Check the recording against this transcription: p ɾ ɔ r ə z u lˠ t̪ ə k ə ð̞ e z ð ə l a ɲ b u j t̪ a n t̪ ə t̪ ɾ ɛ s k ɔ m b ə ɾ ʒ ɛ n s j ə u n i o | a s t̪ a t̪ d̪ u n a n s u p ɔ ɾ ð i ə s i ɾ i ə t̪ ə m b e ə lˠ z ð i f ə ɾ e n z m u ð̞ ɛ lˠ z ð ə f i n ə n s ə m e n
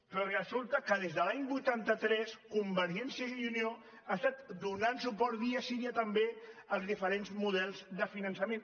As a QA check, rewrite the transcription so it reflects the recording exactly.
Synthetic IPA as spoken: p ɾ ɔ r ə z u lˠ t̪ ə k ə ð̞ e z ð ə l a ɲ b u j t̪ a n t̪ ə t̪ ɾ ɛ s k u m b ə ɾ ʒ ɛ n s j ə u n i o | a s t̪ a t̪ d̪ u n a n s u p ɔ ɾ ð i ə s i ɾ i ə t̪ ə m b e ə lˠ z ð i f ə ɾ e n z m u ð̞ ɛ lˠ z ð ə f i n ə n s ə m e n